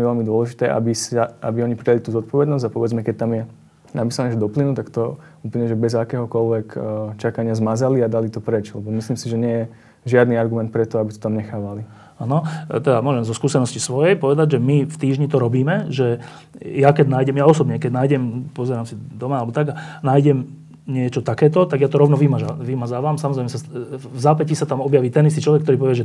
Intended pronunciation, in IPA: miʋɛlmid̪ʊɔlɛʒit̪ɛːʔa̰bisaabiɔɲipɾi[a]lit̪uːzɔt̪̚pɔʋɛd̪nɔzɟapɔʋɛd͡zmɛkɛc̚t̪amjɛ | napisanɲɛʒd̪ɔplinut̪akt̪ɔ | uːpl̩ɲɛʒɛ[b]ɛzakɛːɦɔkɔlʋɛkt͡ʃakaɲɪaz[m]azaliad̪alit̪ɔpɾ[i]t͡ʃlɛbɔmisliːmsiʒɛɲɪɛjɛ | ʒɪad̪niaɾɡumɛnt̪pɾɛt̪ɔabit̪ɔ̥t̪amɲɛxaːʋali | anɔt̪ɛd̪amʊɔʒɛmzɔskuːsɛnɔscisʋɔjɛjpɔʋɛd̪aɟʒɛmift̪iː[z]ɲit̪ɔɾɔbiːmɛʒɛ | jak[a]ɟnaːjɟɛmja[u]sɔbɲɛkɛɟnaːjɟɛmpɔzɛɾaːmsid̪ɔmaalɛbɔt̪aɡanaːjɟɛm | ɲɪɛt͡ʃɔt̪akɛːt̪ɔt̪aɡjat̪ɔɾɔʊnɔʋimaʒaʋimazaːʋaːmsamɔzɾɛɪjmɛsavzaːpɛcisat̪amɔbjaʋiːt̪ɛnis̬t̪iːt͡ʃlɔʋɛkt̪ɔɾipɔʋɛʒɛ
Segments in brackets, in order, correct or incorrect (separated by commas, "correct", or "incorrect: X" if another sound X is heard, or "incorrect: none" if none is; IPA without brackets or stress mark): correct, correct, correct, incorrect: ɛ, incorrect: ʒ, incorrect: ɛ, incorrect: ɔ